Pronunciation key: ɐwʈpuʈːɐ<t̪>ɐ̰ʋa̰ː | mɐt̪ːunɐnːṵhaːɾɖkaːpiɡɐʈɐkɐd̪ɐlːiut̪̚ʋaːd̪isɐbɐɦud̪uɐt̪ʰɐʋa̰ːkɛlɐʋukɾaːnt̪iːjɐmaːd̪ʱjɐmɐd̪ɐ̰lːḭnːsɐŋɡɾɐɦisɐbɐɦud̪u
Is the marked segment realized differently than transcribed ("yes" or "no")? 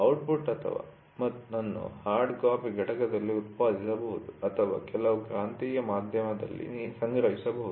yes